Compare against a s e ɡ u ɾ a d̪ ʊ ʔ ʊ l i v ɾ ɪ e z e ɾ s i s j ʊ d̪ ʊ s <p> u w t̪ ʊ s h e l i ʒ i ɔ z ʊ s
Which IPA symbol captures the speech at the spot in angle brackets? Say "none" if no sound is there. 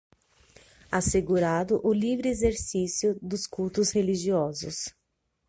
k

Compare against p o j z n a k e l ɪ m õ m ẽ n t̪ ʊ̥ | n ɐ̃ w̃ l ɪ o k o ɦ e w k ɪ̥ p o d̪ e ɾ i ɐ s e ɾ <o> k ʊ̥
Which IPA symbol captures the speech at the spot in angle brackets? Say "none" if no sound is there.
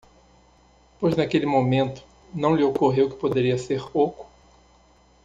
o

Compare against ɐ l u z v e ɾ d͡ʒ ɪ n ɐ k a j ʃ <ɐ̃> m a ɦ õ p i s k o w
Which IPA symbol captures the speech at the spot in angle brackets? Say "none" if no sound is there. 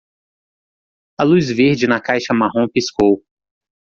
ɐ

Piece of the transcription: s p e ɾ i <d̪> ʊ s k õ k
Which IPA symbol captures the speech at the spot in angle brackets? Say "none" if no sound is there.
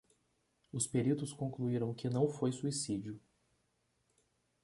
t̪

